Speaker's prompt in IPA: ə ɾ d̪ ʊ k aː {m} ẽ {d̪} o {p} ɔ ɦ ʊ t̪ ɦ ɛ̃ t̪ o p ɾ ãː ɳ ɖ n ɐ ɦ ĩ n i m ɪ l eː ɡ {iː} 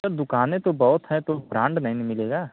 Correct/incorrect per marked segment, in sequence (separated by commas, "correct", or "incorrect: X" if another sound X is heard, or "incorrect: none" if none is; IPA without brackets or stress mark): incorrect: n, incorrect: t̪, incorrect: b, incorrect: aː